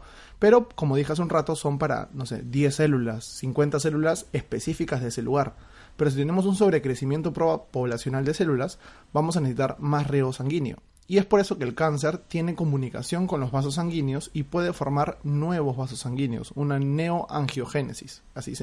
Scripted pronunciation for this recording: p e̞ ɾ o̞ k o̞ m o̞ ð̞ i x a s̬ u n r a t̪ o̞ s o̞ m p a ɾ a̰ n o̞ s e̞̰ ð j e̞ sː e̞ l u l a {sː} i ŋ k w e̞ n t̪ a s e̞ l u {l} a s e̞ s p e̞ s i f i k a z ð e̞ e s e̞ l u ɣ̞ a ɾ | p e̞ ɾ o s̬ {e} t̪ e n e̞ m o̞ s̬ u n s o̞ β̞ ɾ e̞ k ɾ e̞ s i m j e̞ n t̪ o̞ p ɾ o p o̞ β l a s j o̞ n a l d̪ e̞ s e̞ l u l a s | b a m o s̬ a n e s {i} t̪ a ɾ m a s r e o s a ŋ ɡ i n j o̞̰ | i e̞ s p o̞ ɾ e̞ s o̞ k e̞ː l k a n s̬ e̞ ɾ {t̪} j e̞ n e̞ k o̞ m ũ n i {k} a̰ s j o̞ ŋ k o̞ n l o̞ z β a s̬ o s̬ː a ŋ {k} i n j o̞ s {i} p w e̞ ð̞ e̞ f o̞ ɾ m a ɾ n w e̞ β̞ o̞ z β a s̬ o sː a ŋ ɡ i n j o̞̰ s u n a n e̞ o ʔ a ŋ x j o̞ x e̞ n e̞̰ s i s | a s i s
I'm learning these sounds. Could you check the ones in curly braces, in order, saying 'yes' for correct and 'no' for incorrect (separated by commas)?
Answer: yes, yes, no, yes, yes, yes, no, yes